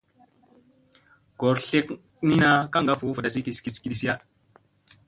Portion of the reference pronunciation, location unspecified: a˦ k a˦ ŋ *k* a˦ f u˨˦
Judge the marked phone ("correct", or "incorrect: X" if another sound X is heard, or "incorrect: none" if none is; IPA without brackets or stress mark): incorrect: ɡ